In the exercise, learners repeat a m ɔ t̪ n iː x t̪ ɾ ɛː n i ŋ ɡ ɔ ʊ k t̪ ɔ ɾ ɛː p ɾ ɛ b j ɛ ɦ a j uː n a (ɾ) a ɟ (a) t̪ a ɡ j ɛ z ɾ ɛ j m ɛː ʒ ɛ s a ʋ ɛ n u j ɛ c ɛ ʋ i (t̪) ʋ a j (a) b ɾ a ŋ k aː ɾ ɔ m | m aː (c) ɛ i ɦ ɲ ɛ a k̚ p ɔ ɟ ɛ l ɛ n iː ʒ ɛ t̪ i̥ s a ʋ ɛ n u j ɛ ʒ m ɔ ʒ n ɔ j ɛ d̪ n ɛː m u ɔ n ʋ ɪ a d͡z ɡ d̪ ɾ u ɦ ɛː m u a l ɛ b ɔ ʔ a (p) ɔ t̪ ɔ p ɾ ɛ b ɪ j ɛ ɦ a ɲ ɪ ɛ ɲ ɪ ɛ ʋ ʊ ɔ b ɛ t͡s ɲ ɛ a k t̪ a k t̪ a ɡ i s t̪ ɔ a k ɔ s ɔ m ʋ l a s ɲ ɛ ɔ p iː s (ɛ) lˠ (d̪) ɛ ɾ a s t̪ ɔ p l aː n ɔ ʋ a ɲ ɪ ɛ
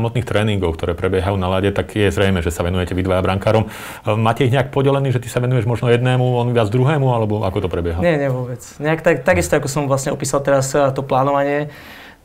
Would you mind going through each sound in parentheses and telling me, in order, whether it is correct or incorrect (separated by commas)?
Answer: incorrect, incorrect, incorrect, correct, correct, incorrect, incorrect, incorrect